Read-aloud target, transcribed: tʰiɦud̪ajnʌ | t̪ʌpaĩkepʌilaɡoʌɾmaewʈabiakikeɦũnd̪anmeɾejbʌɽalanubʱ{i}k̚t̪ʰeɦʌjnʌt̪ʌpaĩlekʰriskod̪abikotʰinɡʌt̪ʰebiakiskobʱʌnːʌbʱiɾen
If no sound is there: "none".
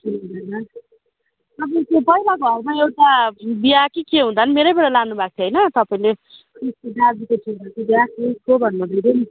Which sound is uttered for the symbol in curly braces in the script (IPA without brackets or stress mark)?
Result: a